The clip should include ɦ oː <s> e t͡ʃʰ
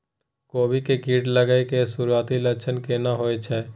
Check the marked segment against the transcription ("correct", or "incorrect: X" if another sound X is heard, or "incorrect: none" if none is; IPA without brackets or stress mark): incorrect: none